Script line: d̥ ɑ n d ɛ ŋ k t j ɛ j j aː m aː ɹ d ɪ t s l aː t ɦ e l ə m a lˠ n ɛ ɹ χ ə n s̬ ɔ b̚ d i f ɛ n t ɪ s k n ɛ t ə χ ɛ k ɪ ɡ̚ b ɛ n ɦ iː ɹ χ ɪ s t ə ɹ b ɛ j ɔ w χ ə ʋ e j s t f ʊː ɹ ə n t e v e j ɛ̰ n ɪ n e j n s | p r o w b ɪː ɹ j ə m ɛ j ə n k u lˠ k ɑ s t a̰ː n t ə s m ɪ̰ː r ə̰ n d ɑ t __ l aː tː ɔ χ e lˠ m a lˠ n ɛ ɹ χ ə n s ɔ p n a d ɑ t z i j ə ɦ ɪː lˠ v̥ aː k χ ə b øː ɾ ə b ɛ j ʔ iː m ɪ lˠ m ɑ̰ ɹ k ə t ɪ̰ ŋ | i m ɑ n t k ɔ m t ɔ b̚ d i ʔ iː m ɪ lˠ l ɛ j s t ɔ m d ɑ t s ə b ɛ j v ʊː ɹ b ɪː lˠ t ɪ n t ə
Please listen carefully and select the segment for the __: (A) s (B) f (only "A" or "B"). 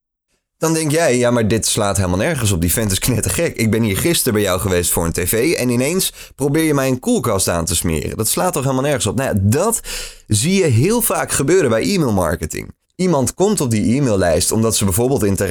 A